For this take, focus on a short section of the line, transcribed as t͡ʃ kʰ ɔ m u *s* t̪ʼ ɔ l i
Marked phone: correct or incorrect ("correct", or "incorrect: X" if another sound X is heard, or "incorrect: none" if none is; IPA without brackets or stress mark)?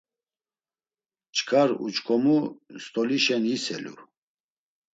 correct